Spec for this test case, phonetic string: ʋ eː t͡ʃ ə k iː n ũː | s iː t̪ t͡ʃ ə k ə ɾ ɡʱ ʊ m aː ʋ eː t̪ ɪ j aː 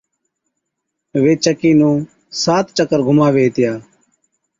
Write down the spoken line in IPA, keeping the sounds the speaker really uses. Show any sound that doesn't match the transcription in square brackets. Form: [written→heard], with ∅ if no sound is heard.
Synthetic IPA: ʋ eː t͡ʃ ə k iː n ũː | s [iː→aː] t̪ t͡ʃ ə k ə ɾ ɡʱ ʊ m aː ʋ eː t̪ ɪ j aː